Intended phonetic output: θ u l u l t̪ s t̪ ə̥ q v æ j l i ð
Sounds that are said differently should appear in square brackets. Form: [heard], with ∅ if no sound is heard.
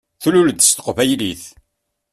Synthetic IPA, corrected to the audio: θ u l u l [d̪] s t̪ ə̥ q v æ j l i [θ]